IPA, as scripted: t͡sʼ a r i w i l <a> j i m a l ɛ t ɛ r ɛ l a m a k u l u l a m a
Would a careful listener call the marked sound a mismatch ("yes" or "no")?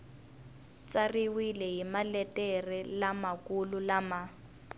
yes